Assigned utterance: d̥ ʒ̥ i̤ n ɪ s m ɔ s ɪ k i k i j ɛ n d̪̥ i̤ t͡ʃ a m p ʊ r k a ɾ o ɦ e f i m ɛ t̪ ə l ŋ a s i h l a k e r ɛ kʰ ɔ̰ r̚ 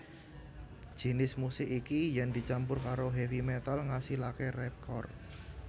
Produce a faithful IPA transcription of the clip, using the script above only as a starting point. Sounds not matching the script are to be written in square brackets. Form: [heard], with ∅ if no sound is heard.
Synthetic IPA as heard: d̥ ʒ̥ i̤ n ɪ s m [u] s ɪ k i k i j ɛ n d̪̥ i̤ t͡ʃ a m p ʊ r k a ɾ o ɦ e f i m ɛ t̪ [a] l ŋ a s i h l a k e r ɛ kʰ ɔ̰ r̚

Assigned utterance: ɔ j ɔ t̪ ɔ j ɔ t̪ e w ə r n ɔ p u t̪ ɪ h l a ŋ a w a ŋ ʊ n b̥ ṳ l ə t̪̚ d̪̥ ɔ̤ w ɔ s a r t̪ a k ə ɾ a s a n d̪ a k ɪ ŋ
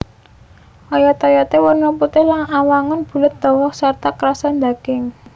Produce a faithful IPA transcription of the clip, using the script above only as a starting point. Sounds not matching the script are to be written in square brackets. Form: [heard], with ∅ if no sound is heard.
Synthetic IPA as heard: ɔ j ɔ t̪ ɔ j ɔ t̪ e w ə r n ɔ p u t̪ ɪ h l a ŋ a w a ŋ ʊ n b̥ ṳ l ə t̪̚ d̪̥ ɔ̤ w ɔ s a r t̪ a k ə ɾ a s a n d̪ a k ɪ ŋ

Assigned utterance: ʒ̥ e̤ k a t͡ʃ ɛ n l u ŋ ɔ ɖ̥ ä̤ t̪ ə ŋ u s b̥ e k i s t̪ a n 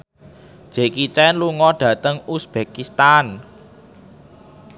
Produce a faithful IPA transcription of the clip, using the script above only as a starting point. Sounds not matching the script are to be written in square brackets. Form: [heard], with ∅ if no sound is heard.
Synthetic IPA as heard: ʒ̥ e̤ k [i] t͡ʃ ɛ n l u ŋ ɔ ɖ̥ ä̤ t̪ ə ŋ u s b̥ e k i s t̪ a n

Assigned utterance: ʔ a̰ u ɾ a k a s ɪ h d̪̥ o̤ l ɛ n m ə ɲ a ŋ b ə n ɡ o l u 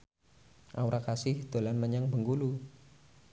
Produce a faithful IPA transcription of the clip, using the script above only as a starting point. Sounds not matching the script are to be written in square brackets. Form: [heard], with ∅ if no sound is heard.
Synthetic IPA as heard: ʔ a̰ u ɾ a k a s ɪ h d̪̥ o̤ l [a] n m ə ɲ a ŋ b ə [ŋ] ɡ [u] l u

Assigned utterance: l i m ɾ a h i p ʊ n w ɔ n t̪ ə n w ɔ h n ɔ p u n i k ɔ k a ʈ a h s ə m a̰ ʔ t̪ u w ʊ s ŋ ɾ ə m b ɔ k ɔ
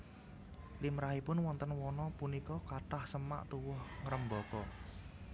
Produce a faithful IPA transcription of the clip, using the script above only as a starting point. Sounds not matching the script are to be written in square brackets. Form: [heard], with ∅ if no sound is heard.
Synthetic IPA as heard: l i m ɾ a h i p ʊ n w ɔ n t̪ ə n w ɔ [∅] n ɔ p u n i k ɔ k a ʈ a h s ə m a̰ ʔ t̪ u w ʊ [h] ŋ ɾ ə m b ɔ k ɔ

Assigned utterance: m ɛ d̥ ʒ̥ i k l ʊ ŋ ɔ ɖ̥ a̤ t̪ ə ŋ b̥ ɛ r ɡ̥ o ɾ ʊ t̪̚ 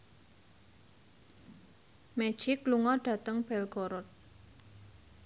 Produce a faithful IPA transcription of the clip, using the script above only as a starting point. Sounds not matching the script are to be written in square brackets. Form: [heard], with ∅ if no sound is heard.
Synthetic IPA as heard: m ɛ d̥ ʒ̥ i k l [u] ŋ ɔ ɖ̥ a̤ t̪ ə ŋ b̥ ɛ [l] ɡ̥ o ɾ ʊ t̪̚

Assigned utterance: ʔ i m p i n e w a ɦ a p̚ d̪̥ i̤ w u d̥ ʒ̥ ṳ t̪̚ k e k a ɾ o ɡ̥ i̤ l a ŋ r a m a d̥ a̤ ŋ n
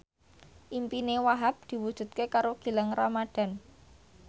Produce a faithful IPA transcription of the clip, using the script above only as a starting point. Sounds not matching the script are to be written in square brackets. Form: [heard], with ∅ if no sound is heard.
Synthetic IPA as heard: ʔ i m p i n e w a ɦ a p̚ d̪̥ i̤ w u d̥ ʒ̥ ṳ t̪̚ k e k a ɾ o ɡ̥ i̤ l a ŋ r a m a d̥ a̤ [∅] n

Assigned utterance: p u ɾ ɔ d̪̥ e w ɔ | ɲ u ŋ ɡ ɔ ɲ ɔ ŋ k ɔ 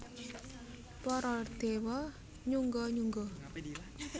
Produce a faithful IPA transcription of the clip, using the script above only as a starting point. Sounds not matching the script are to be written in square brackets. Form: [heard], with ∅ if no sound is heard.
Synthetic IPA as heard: p [ɔ] ɾ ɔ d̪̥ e w ɔ | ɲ u ŋ ɡ ɔ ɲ [u] ŋ [ɡ] ɔ

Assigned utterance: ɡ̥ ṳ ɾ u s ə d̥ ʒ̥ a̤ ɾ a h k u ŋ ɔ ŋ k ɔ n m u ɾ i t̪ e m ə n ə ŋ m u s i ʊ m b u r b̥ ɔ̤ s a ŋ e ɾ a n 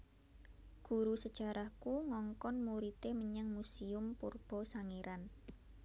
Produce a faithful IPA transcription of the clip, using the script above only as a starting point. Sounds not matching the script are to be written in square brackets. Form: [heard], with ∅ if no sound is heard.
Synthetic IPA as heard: ɡ̥ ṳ ɾ u s ə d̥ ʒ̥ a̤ ɾ a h k u ŋ ɔ ŋ k ɔ n m u ɾ i t̪ e m ə [ɲ] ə ŋ m u s i ʊ m [p] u r b̥ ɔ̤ s a ŋ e ɾ a n

